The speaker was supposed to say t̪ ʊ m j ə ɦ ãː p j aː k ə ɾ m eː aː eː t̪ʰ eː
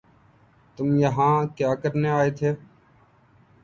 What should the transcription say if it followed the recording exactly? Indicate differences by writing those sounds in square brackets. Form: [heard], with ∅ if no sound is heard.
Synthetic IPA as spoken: t̪ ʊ m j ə ɦ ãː [k] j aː k ə ɾ [n] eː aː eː t̪ʰ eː